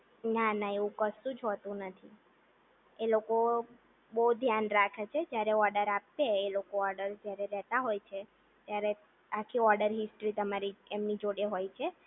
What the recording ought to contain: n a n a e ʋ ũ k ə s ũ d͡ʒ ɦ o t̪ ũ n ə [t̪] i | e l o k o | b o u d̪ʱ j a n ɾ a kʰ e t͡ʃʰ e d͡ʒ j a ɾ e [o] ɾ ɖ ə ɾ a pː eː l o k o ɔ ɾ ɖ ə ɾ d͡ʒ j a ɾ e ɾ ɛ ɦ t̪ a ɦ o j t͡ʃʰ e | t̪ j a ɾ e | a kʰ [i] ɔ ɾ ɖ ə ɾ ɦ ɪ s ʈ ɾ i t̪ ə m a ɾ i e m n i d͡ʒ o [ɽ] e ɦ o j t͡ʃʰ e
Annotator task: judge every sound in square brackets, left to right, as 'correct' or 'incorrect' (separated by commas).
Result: incorrect, incorrect, correct, correct